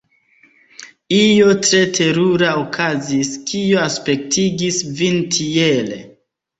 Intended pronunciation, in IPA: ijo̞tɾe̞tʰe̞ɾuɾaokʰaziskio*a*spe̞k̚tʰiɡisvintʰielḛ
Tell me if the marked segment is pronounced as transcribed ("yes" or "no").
yes